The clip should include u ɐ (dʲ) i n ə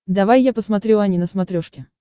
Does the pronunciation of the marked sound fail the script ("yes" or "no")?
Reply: yes